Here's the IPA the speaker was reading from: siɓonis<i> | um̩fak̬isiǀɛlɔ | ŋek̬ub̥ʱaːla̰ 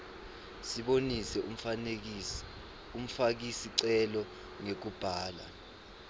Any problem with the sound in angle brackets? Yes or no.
yes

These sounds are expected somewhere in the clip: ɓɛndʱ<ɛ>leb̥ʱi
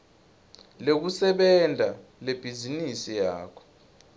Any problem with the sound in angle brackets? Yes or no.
yes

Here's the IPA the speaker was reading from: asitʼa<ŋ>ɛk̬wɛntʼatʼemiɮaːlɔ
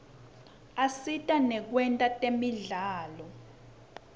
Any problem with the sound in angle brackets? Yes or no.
yes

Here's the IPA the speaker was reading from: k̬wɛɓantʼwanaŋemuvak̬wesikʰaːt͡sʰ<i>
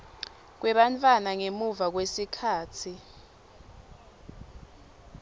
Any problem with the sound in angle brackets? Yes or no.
no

